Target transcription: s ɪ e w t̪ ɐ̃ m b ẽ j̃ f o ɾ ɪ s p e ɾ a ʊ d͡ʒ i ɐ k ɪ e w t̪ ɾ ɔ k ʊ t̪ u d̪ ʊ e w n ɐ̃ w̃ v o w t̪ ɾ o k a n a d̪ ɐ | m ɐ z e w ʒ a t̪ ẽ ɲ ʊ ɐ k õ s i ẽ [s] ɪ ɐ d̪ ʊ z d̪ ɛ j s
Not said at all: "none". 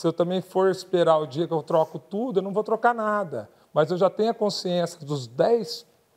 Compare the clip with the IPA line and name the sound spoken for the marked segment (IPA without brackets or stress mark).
s